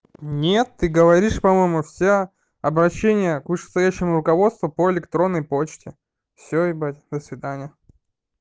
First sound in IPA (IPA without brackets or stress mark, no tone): nʲ